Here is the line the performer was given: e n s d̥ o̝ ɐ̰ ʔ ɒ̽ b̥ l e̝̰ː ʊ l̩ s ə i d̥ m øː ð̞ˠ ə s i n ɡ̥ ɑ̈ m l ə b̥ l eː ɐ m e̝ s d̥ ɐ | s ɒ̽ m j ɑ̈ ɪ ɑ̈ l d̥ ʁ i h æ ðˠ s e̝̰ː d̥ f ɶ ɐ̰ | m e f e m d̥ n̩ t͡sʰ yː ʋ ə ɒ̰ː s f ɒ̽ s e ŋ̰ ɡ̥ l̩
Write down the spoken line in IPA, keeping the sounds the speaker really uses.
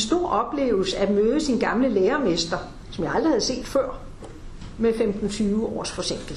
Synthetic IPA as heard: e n s d̥ o̝ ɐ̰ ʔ ɒ̽ b̥ l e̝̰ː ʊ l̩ s ə æ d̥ m øː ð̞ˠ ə s i n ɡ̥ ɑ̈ m l ə l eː ɐ m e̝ s d̥ ɐ | s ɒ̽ m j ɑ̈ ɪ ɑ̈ l d̥ ʁ i h æ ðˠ s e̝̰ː d̥ f ɶ ɐ̰ | m e f e m d̥ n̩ t͡sʰ yː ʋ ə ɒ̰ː s f ɒ̽ s e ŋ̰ ɡ̥ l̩